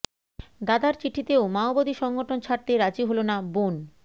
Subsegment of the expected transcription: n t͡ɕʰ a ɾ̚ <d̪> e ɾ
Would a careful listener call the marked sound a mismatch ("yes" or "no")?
yes